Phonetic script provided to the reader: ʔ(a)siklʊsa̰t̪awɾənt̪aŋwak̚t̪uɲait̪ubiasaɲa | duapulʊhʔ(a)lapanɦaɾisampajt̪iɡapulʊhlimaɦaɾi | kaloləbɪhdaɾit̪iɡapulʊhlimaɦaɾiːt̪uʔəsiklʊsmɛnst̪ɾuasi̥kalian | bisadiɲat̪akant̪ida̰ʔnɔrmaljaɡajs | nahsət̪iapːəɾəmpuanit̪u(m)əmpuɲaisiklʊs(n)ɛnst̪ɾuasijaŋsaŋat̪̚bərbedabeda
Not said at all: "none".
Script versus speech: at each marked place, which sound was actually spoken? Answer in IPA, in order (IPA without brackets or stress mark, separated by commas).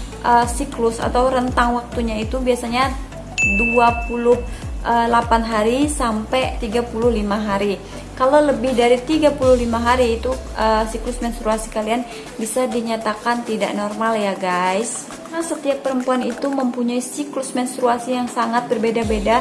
ə, ə, m, m